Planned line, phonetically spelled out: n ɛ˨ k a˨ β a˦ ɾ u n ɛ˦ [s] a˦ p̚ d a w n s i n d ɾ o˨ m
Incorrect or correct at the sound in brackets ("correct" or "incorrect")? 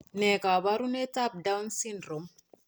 incorrect